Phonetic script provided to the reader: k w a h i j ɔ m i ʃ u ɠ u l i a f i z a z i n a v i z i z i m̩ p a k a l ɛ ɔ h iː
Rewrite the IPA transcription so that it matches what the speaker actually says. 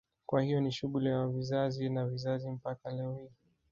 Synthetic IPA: k w a h i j ɔ n i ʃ u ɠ u l i a v i z a z i n a v i z a z i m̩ p a k a l ɛ ɔ h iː